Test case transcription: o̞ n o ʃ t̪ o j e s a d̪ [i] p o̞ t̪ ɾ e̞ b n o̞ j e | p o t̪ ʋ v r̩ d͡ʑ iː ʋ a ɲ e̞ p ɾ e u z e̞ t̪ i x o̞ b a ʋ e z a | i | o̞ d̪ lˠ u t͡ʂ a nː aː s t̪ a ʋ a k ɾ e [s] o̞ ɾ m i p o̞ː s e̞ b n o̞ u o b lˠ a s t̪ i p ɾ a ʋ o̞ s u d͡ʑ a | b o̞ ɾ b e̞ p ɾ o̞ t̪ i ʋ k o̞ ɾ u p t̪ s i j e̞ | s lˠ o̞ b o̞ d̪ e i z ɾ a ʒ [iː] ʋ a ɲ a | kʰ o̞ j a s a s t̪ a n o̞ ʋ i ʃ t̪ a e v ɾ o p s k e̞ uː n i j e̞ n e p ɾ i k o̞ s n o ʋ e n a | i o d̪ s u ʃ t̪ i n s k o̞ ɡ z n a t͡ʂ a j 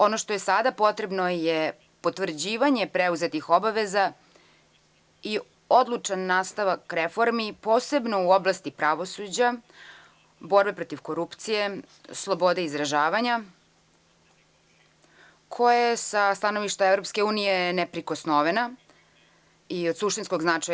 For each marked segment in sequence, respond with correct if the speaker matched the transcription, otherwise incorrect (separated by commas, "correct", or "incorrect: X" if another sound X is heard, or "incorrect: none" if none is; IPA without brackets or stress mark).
incorrect: a, incorrect: f, incorrect: aː